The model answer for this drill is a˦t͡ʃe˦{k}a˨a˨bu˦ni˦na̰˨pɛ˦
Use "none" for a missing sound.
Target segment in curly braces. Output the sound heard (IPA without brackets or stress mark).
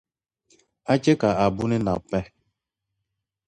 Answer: k